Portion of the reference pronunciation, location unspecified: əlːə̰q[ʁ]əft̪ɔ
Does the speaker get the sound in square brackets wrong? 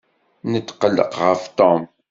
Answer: no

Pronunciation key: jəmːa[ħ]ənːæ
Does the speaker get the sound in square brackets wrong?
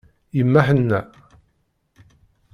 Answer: no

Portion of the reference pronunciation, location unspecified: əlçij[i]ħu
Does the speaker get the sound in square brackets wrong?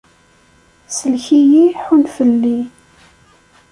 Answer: no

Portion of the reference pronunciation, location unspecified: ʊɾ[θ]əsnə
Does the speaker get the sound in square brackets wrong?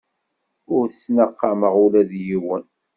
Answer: no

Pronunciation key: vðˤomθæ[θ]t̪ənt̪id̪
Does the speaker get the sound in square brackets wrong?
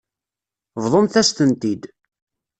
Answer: yes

